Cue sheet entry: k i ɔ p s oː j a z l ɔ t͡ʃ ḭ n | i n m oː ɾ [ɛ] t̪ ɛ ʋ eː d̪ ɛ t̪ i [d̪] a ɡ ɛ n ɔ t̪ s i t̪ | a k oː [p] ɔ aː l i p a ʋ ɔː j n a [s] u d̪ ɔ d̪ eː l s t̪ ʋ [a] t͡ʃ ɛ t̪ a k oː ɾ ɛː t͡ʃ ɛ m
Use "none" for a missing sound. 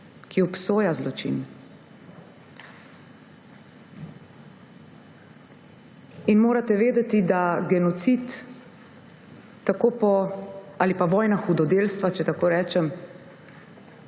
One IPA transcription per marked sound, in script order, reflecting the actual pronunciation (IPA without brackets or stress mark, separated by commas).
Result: a, d̪, p, x, a